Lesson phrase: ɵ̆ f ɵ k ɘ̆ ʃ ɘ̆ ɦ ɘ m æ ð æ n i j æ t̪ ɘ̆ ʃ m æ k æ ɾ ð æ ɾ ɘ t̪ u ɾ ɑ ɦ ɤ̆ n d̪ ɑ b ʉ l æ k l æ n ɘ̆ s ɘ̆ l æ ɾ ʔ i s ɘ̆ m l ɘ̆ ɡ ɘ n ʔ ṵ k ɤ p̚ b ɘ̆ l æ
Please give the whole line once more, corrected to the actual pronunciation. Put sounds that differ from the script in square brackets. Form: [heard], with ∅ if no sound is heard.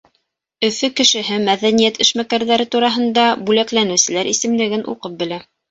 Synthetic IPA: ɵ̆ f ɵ k ɘ̆ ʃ ɘ̆ ɦ ɘ m æ ð æ n i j æ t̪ ɘ̆ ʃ m æ k æ ɾ ð æ ɾ ɘ t̪ u ɾ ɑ ɦ ɤ̆ n d̪ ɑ b ʉ l æ k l æ n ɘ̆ s ɘ̆ l æ ɾ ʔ i s ɘ̆ m l ɘ̆ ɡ ɘ n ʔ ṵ [q] ɤ p̚ b ɘ̆ l æ